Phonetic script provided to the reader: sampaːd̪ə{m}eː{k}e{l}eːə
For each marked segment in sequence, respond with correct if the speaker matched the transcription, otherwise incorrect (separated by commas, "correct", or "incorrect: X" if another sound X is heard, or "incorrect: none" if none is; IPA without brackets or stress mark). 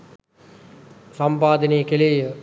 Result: incorrect: n, correct, correct